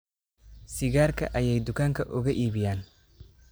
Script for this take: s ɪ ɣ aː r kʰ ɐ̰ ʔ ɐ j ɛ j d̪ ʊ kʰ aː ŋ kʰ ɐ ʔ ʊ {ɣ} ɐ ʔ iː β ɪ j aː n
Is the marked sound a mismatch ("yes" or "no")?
no